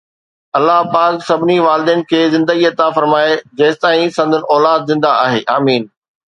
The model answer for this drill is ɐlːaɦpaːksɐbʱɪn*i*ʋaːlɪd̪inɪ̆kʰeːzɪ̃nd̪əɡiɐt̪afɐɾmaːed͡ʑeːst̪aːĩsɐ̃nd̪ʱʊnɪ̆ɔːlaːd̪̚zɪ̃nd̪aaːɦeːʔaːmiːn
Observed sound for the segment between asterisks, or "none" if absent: i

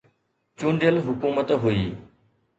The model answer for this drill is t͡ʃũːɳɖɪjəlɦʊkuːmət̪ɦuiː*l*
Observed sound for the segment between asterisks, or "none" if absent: none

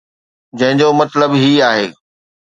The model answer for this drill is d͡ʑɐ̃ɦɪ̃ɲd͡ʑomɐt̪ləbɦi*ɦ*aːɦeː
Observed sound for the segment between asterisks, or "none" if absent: none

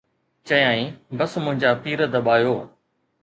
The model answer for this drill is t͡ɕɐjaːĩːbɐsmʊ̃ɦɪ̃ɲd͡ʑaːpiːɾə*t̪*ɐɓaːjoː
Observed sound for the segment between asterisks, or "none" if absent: d̪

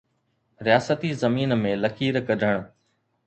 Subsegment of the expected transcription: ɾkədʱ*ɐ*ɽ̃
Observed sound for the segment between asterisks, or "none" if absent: ə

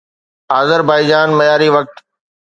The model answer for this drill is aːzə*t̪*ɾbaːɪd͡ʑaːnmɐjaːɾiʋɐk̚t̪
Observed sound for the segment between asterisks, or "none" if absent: none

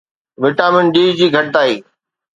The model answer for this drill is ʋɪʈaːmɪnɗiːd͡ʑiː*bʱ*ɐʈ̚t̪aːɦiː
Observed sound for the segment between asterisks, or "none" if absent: ɡʱ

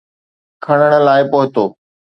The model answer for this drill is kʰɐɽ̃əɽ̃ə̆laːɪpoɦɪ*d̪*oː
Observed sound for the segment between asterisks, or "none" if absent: t̪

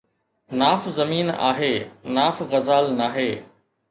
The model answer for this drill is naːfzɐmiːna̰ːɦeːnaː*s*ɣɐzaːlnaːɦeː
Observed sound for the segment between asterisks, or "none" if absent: f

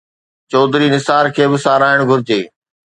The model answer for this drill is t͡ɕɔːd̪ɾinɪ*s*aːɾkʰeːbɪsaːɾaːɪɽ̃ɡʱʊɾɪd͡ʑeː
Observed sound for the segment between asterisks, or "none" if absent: s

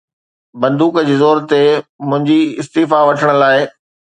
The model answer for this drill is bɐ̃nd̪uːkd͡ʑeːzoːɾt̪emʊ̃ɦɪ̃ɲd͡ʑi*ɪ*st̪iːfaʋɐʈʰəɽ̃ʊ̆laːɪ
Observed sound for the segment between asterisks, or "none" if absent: ɪ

